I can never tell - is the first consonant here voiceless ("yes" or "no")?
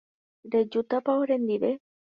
no